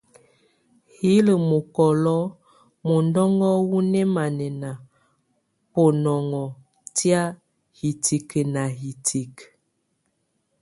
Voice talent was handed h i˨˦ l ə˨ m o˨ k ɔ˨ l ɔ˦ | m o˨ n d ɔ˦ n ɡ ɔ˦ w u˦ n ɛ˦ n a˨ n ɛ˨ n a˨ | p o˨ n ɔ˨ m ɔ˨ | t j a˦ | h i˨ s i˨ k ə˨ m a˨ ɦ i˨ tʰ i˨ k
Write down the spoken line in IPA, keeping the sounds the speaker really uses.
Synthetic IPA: h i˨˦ l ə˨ m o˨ k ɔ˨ l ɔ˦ | m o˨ n d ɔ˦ ŋ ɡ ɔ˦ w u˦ n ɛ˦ m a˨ n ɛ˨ n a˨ | p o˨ n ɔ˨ ŋ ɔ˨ | t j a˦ | h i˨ t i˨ k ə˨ n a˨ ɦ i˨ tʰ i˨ k